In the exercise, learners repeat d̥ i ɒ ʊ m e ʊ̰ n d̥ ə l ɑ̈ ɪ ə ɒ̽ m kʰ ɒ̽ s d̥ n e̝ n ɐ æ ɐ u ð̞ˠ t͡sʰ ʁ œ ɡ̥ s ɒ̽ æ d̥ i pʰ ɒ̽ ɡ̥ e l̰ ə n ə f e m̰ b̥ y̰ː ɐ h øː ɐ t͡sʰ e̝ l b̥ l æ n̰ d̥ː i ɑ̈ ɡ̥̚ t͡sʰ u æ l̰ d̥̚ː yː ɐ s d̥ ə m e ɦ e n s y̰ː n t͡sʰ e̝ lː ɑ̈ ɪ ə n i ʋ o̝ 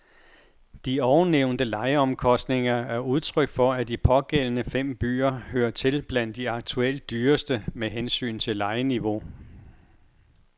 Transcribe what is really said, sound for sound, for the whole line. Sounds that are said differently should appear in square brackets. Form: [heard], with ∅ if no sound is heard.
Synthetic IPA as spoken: d̥ i ɒ ʊ [n] e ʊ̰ n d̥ ə l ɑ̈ ɪ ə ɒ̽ m kʰ ɒ̽ s d̥ n e̝ [ŋ] ɐ æ ɐ u ð̞ˠ t͡sʰ ʁ œ ɡ̥ [f] ɒ̽ æ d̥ i pʰ ɒ̽ ɡ̥ e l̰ ə n ə f e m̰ b̥ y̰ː ɐ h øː ɐ t͡sʰ e̝ l b̥ l æ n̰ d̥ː i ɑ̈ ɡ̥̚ t͡sʰ u [e] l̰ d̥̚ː yː ɐ s d̥ ə m e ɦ e n s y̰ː n t͡sʰ e̝ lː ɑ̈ ɪ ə n i ʋ o̝

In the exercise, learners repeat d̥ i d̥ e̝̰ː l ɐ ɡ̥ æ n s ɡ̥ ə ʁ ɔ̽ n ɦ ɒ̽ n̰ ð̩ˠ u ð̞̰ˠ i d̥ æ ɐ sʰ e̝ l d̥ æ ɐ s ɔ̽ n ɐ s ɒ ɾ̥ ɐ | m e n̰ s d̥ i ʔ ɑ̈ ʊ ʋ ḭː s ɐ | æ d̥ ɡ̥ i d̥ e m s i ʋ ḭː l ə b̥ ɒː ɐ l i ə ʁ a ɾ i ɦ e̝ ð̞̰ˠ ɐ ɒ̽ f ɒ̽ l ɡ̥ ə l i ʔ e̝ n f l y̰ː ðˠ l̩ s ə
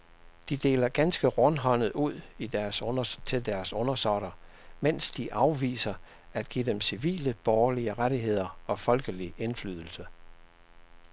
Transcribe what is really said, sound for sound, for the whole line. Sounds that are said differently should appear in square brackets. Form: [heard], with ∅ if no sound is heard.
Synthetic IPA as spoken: d̥ i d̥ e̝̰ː l ɐ ɡ̥ æ n s ɡ̥ ə ʁ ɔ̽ n ɦ ɒ̽ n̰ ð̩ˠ u ð̞̰ˠ i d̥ æ ɐ sʰ e̝ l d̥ æ ɐ s ɔ̽ n ɐ s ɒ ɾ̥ ɐ | m e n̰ s d̥ i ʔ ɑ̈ ʊ ʋ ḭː s ɐ | æ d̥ ɡ̥ i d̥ e m s i ʋ ḭː l ə b̥ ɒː ɐ l i ə ʁ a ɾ i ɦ e̝ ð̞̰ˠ ɐ ɒ̽ f ɒ̽ l ɡ̥ ə l i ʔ e̝ n f l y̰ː ðˠ l̩ s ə

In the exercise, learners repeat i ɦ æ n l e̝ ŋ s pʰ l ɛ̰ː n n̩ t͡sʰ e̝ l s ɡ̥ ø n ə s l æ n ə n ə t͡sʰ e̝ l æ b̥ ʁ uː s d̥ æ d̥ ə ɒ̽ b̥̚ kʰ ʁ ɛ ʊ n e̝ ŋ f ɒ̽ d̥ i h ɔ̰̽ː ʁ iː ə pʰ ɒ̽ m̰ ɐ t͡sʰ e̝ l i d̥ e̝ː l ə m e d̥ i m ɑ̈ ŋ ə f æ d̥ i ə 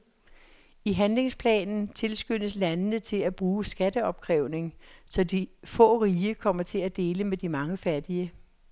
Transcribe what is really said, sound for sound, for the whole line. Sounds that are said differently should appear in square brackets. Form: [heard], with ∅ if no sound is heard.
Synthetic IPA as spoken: i ɦ æ n l e̝ ŋ s pʰ l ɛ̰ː n n̩ t͡sʰ e̝ l s ɡ̥ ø n ə s l æ n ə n ə t͡sʰ e̝ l æ b̥ ʁ uː s [ɡ̥] æ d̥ ə ɒ̽ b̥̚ kʰ ʁ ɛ ʊ n e̝ ŋ [s] ɒ̽ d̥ i [f] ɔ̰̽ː ʁ iː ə [kʰ] ɒ̽ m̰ ɐ t͡sʰ e̝ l [æ] d̥ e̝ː l ə m e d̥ i m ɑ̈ ŋ ə f æ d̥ i ə

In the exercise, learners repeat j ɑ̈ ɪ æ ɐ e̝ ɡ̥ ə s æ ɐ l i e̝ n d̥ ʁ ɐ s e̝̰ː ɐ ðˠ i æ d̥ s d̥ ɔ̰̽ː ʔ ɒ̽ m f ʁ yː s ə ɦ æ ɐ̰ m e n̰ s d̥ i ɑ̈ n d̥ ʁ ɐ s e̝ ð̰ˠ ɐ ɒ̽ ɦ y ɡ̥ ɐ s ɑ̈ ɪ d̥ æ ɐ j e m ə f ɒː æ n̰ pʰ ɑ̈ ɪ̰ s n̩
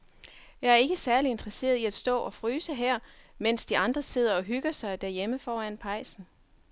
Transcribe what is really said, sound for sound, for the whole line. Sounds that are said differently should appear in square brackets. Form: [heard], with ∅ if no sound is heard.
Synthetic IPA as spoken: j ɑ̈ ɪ æ ɐ e̝ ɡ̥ ə s æ ɐ l i e̝ n d̥ ʁ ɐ s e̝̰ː ɐ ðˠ i æ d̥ s d̥ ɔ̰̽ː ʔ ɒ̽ [∅] f ʁ yː s ə ɦ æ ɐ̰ m e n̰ s d̥ i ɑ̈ n d̥ ʁ ɐ s e̝ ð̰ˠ ɐ ɒ̽ ɦ y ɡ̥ ɐ s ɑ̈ ɪ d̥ æ ɐ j e m ə f ɒː æ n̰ pʰ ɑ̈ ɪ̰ s n̩

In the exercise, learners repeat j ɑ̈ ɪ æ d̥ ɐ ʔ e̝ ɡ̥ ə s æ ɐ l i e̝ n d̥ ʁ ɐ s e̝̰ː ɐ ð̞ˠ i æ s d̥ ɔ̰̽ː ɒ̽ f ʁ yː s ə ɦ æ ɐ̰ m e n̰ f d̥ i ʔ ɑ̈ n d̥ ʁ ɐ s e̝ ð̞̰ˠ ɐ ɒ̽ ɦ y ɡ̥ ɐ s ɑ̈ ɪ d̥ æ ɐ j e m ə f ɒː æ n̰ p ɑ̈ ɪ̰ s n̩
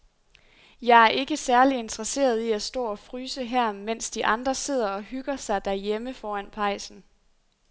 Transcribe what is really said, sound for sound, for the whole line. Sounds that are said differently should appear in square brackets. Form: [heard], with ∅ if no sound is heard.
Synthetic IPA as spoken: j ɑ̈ ɪ æ [∅] ɐ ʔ e̝ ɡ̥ ə s æ ɐ l i e̝ n d̥ ʁ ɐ s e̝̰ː ɐ ð̞ˠ i æ s d̥ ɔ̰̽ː ɒ̽ f ʁ yː s ə ɦ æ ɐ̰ m e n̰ [s] d̥ i ʔ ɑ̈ n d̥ ʁ ɐ s e̝ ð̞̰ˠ ɐ ɒ̽ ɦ y ɡ̥ ɐ s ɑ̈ ɪ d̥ æ ɐ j e m ə f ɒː æ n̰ [pʰ] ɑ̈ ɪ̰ s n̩

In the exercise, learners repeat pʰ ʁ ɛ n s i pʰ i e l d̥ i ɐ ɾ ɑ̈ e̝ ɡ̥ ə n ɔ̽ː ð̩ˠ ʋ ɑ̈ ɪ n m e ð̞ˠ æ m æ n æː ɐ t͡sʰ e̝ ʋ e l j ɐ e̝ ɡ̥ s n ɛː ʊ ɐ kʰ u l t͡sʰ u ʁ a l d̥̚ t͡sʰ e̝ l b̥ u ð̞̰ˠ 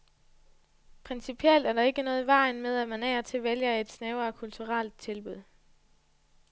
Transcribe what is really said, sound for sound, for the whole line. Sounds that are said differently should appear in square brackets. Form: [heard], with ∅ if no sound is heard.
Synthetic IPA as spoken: pʰ ʁ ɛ n s i pʰ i e l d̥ [æ] ɐ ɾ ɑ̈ e̝ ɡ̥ ə n ɔ̽ː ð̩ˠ ʋ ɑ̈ ɪ n m e ð̞ˠ æ m æ n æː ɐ t͡sʰ e̝ ʋ e l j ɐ e̝ [d̥] s n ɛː ʊ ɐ kʰ u l t͡sʰ u ʁ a l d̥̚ t͡sʰ e̝ l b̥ u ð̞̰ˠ

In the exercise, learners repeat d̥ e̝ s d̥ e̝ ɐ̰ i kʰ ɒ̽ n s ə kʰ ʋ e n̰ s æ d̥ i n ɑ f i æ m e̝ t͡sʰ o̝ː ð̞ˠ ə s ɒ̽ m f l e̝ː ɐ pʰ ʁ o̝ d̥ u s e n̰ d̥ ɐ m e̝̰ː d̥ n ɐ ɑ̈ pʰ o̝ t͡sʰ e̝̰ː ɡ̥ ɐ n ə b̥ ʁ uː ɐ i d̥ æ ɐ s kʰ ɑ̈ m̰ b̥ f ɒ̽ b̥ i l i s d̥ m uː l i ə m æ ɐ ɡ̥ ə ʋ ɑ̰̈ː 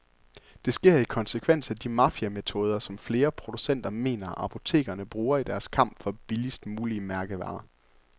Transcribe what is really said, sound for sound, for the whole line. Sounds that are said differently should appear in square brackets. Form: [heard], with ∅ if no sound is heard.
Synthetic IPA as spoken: d̥ e̝ s [ɡ̥] e̝ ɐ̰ i kʰ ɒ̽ n s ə kʰ ʋ e n̰ s æ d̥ i [m] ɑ f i æ m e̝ t͡sʰ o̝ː ð̞ˠ [ɐ] s ɒ̽ m f l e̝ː ɐ pʰ ʁ o̝ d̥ u s e n̰ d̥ ɐ m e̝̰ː [∅] n ɐ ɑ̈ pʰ o̝ t͡sʰ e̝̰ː ɡ̥ ɐ n ə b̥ ʁ uː ɐ i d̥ æ ɐ s kʰ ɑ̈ m̰ b̥ f ɒ̽ b̥ i l i s d̥ m uː l i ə m æ ɐ ɡ̥ ə ʋ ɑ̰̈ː

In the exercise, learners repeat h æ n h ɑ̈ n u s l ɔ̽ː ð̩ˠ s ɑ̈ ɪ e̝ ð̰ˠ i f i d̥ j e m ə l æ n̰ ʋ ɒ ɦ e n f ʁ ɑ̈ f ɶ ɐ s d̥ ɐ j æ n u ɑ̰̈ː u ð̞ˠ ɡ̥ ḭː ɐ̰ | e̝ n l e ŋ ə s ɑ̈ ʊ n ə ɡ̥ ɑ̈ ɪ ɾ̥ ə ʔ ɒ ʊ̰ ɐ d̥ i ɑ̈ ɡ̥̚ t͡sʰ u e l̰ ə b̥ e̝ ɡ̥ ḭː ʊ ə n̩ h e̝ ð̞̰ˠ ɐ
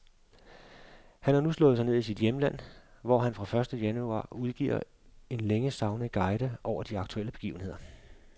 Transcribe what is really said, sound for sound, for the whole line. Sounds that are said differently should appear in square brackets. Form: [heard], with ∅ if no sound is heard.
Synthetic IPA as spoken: h æ n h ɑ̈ n u s l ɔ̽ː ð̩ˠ s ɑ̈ ɪ e̝ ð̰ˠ i [s] i d̥ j e m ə l æ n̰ ʋ ɒ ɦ [æ] n f ʁ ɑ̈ f ɶ ɐ s d̥ [ə] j æ n u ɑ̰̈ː u ð̞ˠ ɡ̥ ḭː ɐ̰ | e̝ n l e ŋ ə s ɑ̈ ʊ n ə ɡ̥ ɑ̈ ɪ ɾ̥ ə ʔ ɒ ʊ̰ ɐ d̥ i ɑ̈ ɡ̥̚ t͡sʰ u e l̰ ə b̥ e̝ ɡ̥ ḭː ʊ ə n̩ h e̝ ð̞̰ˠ ɐ

